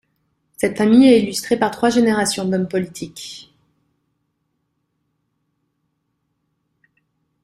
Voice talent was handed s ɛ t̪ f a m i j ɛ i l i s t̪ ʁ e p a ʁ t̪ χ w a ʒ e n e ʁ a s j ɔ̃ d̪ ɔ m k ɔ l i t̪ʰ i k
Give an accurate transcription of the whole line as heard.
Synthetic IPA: s ɛ t̪ f a m i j ɛ i l y s t̪ χ e p a ʁ t̪ χ w a ʒ e n e ʁ a s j ɔ̃ d̪ ɔ m p ɔ l i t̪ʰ i k